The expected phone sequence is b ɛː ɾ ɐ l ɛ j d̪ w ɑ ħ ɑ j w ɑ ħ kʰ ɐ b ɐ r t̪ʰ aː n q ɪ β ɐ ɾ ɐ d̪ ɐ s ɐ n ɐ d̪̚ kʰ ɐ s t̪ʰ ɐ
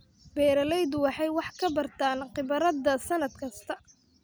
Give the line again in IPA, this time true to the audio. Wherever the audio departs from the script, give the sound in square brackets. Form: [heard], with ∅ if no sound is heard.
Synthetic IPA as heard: b ɛː ɾ ɐ l ɛ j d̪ w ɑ ħ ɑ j w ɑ ħ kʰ ɐ b ɐ r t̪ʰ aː n q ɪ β ɐ ɾ ɐ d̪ ɐ s ɐ n ɐ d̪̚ kʰ ɐ s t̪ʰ ɐ